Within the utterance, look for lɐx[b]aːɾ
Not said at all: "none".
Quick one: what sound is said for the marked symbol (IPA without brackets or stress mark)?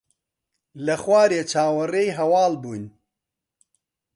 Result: w